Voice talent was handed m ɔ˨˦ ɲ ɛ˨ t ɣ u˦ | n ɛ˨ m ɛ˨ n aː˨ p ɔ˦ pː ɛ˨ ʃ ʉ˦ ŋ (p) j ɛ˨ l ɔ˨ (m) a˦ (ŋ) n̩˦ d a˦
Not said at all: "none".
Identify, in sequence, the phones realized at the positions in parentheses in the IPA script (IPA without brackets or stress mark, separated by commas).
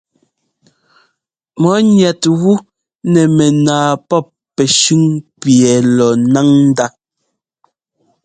p, n, ŋ